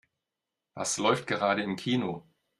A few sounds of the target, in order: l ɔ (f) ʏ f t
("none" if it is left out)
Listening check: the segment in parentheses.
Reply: none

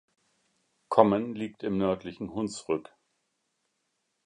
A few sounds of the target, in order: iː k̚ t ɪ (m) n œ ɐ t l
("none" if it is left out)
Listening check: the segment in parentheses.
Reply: m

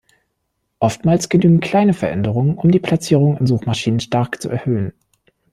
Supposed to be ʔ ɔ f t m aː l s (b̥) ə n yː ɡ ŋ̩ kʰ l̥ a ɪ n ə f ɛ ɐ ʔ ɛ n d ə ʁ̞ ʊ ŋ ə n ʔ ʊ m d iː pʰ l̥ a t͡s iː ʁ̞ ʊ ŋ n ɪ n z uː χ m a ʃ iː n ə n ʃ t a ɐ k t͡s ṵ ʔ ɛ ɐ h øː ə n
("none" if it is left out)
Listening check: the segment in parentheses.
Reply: ɡ̥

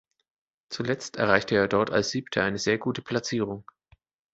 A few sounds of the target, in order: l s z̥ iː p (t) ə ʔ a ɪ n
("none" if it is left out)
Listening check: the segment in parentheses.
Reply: tʰ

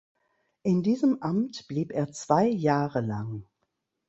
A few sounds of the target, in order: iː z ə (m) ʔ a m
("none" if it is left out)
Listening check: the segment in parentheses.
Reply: m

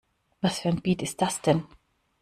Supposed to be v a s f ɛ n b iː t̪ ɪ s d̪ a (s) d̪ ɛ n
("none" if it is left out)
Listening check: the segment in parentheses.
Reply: s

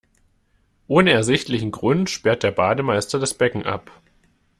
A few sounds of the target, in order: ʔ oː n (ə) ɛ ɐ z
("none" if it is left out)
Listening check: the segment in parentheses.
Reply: ə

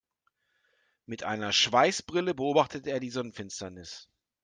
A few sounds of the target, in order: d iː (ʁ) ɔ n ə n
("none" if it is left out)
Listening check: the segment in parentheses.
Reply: z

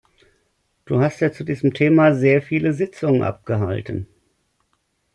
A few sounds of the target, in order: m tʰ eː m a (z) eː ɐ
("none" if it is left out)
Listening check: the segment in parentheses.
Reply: z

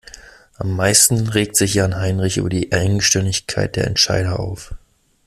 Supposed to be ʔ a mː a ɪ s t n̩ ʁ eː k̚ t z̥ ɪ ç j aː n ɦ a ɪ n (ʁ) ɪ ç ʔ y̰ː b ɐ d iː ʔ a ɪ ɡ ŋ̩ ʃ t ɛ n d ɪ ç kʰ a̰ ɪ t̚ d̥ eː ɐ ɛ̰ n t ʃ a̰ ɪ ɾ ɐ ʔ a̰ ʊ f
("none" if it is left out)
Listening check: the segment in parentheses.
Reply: ʁ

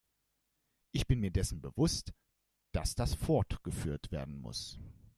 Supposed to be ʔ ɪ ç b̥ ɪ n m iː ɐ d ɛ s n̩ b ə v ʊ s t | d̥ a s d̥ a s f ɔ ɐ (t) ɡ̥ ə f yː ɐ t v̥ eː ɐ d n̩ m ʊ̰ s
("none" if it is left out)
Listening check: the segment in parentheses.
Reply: t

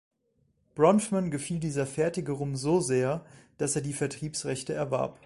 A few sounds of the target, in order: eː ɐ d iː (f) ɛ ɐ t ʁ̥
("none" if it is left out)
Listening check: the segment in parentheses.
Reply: f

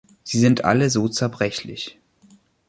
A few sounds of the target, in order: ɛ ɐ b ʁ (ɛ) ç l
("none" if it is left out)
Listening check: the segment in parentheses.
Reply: ɛ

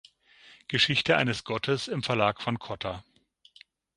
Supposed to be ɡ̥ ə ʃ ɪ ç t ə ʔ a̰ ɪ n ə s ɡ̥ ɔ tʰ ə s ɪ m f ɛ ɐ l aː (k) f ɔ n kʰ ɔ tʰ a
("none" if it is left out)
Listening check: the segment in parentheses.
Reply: k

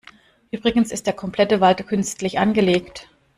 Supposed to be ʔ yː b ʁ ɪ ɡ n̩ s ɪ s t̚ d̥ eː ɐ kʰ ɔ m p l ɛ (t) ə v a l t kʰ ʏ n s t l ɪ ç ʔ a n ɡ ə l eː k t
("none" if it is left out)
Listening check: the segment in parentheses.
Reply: t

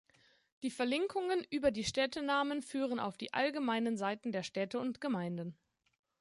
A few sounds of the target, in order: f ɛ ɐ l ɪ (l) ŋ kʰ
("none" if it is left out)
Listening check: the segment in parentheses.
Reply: none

